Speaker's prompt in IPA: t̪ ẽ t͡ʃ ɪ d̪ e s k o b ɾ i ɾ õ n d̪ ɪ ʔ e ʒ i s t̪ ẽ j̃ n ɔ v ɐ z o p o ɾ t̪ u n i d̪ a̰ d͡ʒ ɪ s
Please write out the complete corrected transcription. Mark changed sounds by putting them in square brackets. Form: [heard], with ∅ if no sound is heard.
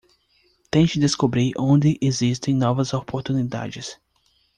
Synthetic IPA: t̪ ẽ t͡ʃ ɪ d̪ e s k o b ɾ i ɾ õ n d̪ ɪ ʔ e [z] i s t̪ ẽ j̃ n ɔ v ɐ z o p o ɾ t̪ u n i d̪ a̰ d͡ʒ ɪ s

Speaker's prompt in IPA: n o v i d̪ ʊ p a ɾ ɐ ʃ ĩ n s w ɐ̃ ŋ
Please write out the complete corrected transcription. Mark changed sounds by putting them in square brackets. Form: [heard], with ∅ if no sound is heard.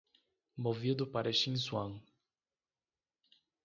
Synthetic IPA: [m] o v i d̪ ʊ p a ɾ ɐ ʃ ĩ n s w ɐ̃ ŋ

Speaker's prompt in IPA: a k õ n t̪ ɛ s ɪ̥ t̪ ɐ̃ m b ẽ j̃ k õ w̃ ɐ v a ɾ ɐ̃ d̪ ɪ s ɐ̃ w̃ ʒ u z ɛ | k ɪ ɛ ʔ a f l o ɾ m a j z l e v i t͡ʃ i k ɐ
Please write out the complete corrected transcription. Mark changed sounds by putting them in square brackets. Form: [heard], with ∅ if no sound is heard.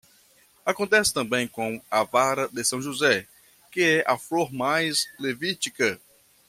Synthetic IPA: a k õ n t̪ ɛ s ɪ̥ t̪ ɐ̃ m b ẽ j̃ k õ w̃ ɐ v a ɾ [ɐ] d̪ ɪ s ɐ̃ w̃ ʒ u z ɛ | k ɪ ɛ ʔ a f l o ɾ m a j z l e v i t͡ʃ i k ɐ

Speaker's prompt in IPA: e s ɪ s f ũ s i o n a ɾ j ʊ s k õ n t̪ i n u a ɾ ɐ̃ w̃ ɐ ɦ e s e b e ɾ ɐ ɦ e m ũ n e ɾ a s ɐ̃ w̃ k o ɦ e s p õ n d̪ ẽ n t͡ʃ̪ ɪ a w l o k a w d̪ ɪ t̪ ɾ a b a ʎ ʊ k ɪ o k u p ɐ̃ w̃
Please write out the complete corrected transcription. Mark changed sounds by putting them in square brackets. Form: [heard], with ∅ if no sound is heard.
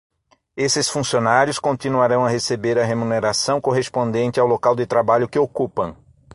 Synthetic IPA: e s ɪ s f ũ s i o n a ɾ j ʊ s k õ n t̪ i n u a ɾ ɐ̃ w̃ ɐ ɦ e s e b e ɾ ɐ ɦ e m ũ n e ɾ a s ɐ̃ w̃ k o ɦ e s p õ n d̪ ẽ n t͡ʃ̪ ɪ a w l o k a w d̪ ɪ t̪ ɾ a b a ʎ ʊ k ɪ o k u p ɐ̃ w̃

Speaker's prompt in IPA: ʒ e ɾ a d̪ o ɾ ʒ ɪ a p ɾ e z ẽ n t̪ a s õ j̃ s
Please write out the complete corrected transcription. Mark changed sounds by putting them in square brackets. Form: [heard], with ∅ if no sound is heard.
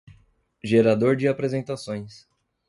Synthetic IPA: ʒ e ɾ a d̪ o ɾ [d͡ʒ] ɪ a p ɾ e z ẽ n t̪ a s õ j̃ s

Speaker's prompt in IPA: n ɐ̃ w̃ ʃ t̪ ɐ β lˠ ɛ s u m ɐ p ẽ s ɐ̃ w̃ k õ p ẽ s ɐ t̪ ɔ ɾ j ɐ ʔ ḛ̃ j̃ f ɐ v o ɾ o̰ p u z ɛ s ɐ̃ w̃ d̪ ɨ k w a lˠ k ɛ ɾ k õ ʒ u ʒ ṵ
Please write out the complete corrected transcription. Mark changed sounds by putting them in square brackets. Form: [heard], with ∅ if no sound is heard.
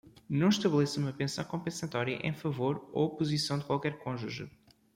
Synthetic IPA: n ɐ̃ w̃ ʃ t̪ ɐ β lˠ ɛ s u m ɐ p ẽ s ɐ̃ w̃ k õ p ẽ s ɐ t̪ ɔ ɾ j ɐ ʔ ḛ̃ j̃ f ɐ v o ɾ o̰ p u z [i] s ɐ̃ w̃ d̪ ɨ k w a lˠ k ɛ ɾ k õ ʒ u ʒ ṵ

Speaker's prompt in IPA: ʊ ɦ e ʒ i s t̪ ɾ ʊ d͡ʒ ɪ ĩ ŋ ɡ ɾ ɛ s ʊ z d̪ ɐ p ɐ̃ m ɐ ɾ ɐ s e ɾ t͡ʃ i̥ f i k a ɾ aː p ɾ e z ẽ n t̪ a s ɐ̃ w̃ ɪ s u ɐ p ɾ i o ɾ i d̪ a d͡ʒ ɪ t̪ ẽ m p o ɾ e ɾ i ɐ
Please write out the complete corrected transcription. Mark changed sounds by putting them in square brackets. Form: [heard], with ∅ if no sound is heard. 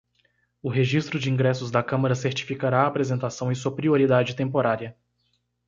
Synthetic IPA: ʊ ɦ e ʒ i s t̪ ɾ ʊ d͡ʒ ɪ ĩ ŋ ɡ ɾ ɛ s ʊ z d̪ ɐ [k] ɐ̃ m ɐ ɾ ɐ s e ɾ t͡ʃ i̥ f i k a ɾ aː p ɾ e z ẽ n t̪ a s ɐ̃ w̃ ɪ s u ɐ p ɾ i o ɾ i d̪ a d͡ʒ ɪ t̪ ẽ m p o ɾ [a] ɾ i ɐ

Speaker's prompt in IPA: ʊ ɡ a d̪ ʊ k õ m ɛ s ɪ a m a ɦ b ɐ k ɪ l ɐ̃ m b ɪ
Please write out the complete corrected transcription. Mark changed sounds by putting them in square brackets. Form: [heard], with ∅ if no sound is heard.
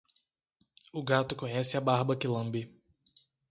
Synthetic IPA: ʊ ɡ a [t̪] ʊ k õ [ɲ] ɛ s ɪ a [b] a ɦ b ɐ k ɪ l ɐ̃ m b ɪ

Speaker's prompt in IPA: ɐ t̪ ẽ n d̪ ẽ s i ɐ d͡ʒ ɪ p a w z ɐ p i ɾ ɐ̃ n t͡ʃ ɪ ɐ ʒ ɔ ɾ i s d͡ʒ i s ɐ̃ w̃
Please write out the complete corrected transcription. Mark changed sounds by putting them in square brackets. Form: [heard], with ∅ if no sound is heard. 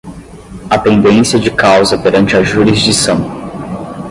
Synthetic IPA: ɐ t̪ ẽ n d̪ ẽ s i ɐ d͡ʒ ɪ [k] a w z ɐ p [e] ɾ ɐ̃ n t͡ʃ ɪ ɐ ʒ [u] ɾ i [z] d͡ʒ i s ɐ̃ w̃

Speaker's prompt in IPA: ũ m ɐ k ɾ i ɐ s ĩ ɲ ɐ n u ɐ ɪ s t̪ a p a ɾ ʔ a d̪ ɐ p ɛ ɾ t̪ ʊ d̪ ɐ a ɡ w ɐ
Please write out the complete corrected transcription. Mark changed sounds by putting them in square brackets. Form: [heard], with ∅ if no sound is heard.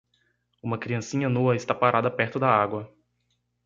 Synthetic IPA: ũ m ɐ k ɾ i [ɐ̃] s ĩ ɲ ɐ n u ɐ ɪ s t̪ a p a ɾ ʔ a d̪ ɐ p ɛ ɾ t̪ ʊ d̪ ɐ a ɡ w ɐ

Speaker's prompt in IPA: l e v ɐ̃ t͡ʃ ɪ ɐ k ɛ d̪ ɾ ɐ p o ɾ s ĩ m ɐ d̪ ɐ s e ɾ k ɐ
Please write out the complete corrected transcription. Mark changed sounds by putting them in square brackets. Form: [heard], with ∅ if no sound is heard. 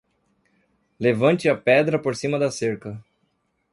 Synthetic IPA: l e v ɐ̃ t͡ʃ ɪ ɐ [p] ɛ d̪ ɾ ɐ p o ɾ s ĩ m ɐ d̪ ɐ s e ɾ k ɐ

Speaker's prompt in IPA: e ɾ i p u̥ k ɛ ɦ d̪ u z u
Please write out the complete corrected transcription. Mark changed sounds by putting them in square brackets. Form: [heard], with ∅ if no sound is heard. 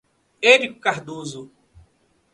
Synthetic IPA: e ɾ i [k] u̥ k [a] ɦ d̪ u z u

